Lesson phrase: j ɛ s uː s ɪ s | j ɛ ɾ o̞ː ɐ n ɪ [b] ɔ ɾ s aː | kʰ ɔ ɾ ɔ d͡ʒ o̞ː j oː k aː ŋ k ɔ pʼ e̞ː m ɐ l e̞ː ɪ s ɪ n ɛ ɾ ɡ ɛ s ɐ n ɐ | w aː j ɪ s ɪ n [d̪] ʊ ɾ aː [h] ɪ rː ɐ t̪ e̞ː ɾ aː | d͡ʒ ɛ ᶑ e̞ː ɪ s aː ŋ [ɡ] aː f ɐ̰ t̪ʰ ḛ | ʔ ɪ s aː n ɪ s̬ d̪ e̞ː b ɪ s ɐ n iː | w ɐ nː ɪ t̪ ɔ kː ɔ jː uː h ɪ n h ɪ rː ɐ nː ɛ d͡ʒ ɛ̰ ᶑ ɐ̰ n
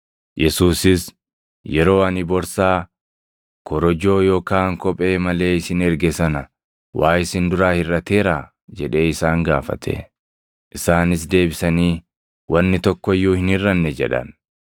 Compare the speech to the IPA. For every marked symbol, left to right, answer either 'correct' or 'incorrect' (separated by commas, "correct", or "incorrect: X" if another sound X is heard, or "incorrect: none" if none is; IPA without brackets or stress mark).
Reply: correct, correct, correct, correct